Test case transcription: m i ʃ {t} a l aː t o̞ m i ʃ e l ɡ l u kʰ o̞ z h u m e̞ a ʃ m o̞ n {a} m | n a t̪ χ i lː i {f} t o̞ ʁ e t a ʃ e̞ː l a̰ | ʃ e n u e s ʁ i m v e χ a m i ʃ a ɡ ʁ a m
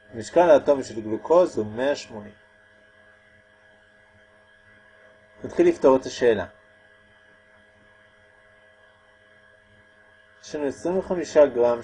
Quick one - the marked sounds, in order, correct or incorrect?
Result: incorrect: k, incorrect: i, correct

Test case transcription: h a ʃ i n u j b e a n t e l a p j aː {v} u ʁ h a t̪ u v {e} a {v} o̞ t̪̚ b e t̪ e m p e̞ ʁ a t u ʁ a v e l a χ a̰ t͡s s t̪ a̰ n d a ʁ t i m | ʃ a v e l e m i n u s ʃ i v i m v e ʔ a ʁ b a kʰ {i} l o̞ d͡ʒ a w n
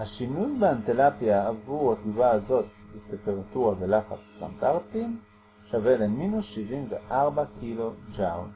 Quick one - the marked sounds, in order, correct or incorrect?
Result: correct, incorrect: a, incorrect: z, correct

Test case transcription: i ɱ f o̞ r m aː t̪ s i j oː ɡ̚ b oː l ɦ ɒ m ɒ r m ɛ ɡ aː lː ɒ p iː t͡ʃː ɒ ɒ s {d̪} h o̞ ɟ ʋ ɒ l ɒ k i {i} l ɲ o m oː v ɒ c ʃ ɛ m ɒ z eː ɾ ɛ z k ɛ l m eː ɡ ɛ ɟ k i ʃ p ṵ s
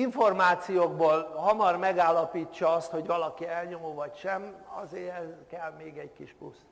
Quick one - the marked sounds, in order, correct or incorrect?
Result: incorrect: t̪, incorrect: ɛ

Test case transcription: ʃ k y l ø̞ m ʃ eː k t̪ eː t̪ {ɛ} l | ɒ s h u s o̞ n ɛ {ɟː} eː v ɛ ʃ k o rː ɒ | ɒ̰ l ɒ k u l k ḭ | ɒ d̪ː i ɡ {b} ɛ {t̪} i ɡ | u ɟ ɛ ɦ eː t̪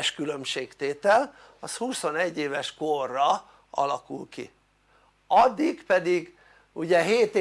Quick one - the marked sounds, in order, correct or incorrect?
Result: correct, correct, incorrect: p, incorrect: d̪

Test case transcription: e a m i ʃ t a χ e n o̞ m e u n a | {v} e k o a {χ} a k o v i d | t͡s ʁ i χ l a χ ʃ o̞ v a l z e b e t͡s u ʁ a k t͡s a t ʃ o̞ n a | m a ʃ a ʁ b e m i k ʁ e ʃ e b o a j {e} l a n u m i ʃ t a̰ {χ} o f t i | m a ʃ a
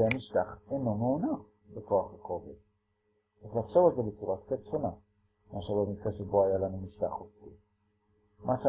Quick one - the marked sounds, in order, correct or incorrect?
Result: incorrect: b, correct, incorrect: a, correct

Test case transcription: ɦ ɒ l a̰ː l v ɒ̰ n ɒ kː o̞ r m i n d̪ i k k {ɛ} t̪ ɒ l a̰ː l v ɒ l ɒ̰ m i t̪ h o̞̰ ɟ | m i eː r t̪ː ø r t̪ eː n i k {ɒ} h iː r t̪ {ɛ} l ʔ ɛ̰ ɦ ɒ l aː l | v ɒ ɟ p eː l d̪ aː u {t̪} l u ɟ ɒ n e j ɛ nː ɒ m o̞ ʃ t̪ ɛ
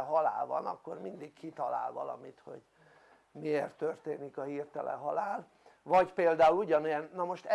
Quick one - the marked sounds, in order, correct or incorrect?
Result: incorrect: i, correct, correct, incorrect: none

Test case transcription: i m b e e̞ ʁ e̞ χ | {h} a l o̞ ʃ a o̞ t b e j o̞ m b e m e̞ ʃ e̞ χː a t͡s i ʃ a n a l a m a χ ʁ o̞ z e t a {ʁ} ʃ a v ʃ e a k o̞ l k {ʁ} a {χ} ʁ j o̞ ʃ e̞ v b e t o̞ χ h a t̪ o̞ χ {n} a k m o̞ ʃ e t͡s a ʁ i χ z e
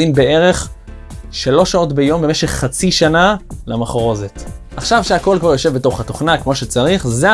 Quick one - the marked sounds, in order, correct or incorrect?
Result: incorrect: ʃ, incorrect: χ, incorrect: v, incorrect: none, correct

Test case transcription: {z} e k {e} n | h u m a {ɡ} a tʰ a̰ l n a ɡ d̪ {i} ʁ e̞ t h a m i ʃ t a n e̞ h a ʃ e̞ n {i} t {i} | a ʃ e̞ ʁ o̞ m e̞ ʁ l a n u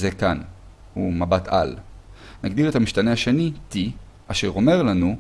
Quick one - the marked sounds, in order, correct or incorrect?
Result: correct, incorrect: a, incorrect: b, correct, correct, correct

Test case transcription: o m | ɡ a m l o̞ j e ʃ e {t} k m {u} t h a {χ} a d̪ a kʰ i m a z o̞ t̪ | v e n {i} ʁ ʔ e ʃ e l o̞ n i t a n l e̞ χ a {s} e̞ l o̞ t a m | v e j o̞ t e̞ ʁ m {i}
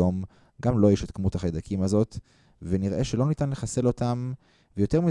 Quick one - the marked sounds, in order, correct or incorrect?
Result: correct, correct, correct, correct, correct, correct

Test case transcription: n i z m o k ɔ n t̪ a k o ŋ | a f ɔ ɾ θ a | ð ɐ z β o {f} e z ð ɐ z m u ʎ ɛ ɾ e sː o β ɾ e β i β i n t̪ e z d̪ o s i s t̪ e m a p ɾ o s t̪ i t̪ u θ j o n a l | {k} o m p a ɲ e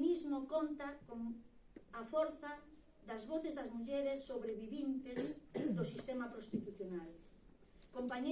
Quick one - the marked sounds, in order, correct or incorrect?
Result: incorrect: θ, correct

